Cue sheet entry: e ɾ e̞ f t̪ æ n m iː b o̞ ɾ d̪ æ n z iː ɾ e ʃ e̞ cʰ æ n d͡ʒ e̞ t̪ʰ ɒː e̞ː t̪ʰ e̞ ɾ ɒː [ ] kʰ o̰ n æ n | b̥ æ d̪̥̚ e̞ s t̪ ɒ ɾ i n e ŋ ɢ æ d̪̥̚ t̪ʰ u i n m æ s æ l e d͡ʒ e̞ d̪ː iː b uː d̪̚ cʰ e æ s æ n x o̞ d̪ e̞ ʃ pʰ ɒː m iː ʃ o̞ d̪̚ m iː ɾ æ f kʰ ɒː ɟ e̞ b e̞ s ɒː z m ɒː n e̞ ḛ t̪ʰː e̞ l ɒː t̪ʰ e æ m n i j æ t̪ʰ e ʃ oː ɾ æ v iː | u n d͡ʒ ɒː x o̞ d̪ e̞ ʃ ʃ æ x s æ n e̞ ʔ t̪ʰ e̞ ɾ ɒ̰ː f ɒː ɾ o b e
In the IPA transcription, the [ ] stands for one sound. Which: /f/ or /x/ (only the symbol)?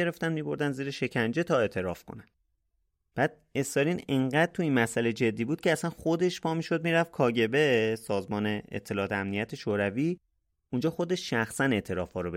f